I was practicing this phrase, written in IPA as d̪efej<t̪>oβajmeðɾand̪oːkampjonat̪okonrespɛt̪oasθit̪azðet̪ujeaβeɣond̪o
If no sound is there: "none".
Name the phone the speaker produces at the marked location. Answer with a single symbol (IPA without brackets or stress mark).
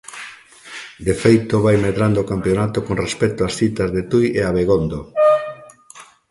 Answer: t̪